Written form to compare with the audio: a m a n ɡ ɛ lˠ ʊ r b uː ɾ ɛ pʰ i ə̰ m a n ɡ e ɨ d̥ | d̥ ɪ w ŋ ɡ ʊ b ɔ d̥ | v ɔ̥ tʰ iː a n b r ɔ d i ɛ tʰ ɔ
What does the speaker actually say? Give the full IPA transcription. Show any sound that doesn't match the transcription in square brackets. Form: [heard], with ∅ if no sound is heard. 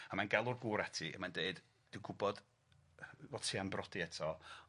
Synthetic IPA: a m a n ɡ ɛ lˠ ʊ r [ɡ] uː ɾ ɛ [tʰ] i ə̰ m a n [d] e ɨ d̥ | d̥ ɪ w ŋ ɡ ʊ b ɔ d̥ | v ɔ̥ tʰ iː a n b r ɔ d i ɛ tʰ ɔ